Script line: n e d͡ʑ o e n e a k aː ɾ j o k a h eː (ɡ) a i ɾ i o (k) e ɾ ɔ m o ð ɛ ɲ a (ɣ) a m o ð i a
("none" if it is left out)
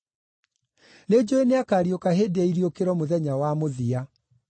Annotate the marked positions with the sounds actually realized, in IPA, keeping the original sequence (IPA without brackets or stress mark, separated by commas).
d, k, w